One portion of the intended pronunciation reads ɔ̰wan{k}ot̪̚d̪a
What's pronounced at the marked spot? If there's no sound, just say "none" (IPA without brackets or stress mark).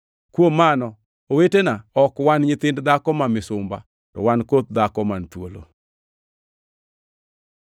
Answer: k